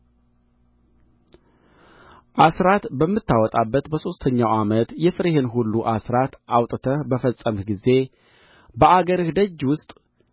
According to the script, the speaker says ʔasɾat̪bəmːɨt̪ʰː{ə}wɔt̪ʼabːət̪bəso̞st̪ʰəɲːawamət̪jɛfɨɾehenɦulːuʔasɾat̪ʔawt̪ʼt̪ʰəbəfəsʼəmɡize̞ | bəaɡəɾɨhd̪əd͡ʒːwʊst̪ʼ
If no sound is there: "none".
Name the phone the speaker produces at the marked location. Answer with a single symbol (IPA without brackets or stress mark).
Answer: a